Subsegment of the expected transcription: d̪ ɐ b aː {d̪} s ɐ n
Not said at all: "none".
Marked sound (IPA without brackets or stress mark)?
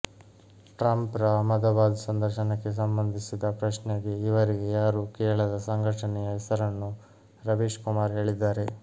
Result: d̪